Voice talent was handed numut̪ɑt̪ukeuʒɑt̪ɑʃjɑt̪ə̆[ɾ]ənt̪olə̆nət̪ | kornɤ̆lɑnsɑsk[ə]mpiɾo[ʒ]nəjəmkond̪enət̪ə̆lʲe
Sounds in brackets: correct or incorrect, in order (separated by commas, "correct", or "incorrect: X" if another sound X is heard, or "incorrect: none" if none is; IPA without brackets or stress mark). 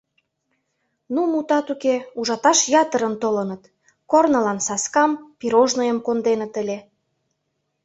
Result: correct, incorrect: ɑ, correct